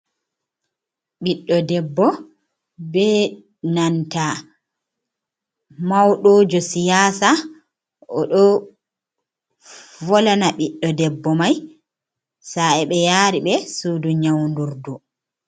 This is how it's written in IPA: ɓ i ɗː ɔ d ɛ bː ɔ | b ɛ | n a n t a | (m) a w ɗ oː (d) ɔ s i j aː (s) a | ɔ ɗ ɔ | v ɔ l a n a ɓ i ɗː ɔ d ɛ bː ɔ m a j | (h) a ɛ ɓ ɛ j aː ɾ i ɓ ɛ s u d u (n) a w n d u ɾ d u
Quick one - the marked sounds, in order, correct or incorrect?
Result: correct, incorrect, correct, incorrect, incorrect

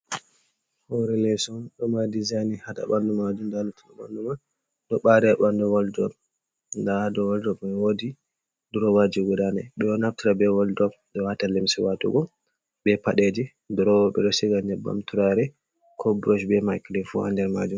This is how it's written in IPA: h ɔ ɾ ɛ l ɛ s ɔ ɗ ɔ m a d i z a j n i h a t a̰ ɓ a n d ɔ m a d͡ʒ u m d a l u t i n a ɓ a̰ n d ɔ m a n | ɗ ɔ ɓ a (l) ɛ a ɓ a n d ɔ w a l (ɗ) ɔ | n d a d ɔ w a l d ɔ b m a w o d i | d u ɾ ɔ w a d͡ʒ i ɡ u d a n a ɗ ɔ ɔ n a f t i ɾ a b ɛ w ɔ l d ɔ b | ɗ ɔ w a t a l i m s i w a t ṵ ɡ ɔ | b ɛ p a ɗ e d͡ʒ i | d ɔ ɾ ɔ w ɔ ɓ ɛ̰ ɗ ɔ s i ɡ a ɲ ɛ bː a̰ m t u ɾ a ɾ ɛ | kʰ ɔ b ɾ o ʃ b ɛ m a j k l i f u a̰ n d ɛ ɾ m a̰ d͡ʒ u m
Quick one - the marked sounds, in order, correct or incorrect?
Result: incorrect, incorrect

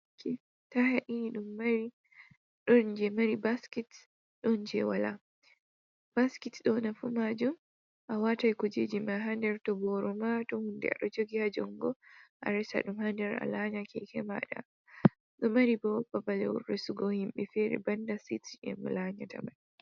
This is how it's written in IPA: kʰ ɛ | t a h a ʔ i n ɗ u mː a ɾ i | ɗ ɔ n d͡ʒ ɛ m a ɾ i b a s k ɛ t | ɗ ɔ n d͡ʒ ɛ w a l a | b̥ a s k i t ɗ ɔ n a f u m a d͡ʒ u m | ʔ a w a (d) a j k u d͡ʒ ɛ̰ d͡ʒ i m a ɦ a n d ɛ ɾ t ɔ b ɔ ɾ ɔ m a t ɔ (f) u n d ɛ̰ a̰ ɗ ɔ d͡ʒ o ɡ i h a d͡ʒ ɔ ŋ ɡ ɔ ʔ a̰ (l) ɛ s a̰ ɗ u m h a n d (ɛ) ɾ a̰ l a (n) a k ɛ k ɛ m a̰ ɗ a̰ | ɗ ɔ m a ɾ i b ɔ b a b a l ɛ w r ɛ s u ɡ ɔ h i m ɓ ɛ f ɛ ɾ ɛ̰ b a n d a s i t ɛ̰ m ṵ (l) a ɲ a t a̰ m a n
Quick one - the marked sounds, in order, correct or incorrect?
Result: incorrect, incorrect, incorrect, correct, incorrect, correct

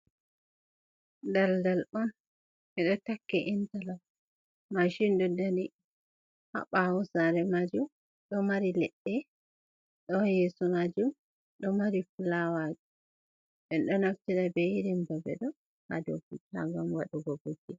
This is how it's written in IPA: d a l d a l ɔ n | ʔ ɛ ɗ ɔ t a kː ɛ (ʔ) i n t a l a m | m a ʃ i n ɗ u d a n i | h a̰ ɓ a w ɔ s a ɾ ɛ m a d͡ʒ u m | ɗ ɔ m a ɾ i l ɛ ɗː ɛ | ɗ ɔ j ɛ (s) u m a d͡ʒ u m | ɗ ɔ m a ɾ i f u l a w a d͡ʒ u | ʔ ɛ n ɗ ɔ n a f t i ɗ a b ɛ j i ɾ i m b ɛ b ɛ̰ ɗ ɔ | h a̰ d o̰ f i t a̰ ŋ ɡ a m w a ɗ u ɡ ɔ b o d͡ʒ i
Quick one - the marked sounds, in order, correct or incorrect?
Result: correct, correct

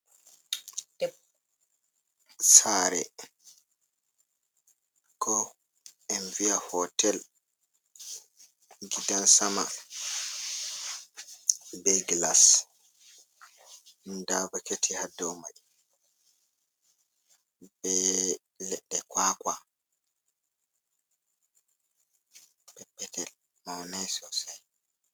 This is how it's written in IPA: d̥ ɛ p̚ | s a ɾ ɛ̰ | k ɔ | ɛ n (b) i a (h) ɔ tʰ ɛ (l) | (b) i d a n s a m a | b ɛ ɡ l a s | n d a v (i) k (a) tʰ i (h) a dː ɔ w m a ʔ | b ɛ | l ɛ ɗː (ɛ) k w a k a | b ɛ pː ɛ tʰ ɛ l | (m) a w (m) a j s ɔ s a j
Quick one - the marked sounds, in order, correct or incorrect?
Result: incorrect, correct, correct, incorrect, incorrect, incorrect, correct, correct, correct, incorrect

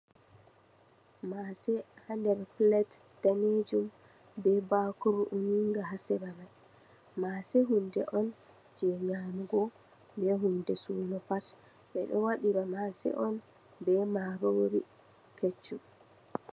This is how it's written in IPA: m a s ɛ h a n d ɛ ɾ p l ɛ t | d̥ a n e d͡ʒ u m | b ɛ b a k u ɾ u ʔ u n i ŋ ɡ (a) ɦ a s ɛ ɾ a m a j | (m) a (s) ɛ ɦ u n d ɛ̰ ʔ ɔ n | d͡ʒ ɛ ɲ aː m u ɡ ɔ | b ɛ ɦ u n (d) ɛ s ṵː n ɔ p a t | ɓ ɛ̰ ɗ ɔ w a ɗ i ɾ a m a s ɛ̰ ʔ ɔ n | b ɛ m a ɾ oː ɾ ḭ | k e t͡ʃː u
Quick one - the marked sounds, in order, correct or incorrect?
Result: correct, correct, correct, correct

